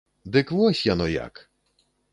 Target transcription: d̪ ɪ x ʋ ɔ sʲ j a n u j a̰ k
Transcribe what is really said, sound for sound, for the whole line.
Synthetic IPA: d̪ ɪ k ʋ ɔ sʲ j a n ɔ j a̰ k